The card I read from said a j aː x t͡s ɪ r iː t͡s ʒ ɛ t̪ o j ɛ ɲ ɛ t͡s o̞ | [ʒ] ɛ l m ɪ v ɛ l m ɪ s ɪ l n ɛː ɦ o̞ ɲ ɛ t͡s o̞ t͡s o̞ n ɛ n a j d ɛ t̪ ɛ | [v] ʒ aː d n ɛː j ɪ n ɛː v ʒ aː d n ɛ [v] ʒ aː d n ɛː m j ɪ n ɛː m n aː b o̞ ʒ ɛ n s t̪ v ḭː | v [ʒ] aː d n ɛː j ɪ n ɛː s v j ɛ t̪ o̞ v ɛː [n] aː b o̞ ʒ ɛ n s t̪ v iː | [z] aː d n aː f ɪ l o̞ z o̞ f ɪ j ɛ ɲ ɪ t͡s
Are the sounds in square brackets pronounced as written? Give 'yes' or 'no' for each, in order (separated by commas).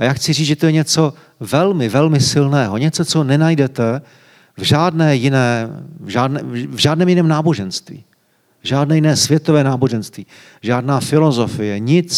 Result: no, yes, yes, yes, yes, no